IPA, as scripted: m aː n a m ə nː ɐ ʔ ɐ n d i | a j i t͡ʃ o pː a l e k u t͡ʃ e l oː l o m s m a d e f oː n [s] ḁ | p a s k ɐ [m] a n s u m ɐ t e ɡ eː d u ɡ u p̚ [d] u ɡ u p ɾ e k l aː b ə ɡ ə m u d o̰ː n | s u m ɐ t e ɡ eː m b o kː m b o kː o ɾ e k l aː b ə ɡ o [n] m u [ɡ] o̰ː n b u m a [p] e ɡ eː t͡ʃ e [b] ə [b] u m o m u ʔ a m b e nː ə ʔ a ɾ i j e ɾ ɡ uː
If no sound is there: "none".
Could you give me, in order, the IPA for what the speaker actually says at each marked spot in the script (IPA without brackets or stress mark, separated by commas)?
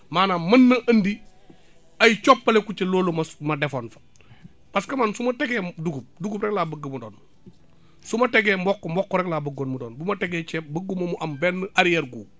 f, m, d, n, d, t, b, ɡ